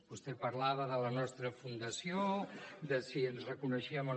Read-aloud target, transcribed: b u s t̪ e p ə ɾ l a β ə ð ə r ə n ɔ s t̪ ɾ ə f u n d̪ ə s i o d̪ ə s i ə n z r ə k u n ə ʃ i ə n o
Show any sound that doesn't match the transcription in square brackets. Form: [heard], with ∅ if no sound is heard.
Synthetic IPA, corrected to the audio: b u s t̪ e p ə ɾ l a β ə ð ə [l] ə n ɔ s t̪ ɾ ə f u n d̪ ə s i o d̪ ə s i ə n z r ə k u n ə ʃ i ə [m] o